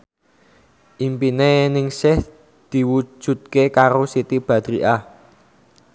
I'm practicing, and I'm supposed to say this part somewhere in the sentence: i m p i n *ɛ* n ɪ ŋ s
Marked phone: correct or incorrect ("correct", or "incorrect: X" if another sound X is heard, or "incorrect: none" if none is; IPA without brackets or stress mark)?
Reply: incorrect: e